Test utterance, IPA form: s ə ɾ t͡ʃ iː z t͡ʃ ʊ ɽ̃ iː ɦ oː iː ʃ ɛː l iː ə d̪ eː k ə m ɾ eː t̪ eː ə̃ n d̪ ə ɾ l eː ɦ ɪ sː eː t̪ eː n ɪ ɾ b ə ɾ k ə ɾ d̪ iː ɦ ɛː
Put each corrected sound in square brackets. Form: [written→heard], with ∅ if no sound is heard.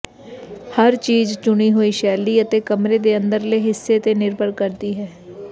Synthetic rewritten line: [s→h] ə ɾ t͡ʃ iː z t͡ʃ ʊ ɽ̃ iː ɦ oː iː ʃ ɛː l iː ə [d̪→t̪] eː k ə m ɾ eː [t̪→d̪] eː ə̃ n d̪ ə ɾ l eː ɦ ɪ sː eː t̪ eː n ɪ ɾ b ə ɾ k ə ɾ d̪ iː ɦ ɛː